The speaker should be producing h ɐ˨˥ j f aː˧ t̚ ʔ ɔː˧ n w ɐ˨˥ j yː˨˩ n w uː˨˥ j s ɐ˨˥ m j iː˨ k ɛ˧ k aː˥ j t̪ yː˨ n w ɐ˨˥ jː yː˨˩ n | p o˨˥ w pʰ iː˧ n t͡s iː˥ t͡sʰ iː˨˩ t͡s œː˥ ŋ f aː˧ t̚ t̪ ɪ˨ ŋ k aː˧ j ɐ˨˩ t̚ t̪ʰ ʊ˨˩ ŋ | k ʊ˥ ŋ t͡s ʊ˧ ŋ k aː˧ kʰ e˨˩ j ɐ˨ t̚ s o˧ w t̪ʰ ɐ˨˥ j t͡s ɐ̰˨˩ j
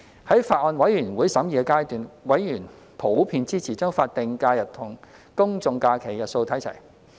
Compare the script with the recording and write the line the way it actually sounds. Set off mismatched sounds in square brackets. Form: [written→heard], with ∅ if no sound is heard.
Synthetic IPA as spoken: h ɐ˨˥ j f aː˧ t̚ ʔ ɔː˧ n w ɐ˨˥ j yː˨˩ n w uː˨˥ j s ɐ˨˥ m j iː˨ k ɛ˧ k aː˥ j t̪ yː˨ n w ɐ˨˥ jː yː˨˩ n | [p→pʰ] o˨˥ w pʰ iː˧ n t͡s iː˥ t͡sʰ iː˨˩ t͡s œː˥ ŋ f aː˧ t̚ t̪ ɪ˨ ŋ k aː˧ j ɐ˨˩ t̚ t̪ʰ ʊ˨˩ ŋ | k ʊ˥ ŋ t͡s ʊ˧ ŋ k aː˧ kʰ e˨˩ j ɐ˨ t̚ s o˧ w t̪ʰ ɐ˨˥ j [t͡s→t͡sʰ] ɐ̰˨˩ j